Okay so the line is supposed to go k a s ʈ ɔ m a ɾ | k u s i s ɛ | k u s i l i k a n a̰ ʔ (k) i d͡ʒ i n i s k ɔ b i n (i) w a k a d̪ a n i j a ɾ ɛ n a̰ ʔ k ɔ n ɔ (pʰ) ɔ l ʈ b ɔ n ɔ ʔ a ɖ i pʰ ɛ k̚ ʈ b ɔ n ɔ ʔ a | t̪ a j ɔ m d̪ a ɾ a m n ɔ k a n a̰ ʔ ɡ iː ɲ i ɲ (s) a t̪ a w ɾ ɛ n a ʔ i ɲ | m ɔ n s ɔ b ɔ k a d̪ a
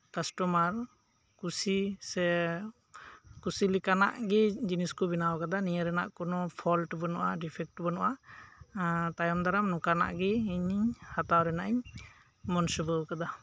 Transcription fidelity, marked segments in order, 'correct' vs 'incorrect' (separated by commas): incorrect, incorrect, correct, incorrect